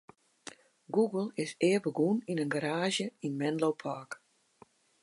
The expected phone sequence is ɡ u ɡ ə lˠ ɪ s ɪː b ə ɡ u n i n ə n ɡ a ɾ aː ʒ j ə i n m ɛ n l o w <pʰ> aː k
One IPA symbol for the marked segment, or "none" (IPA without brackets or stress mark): pʰ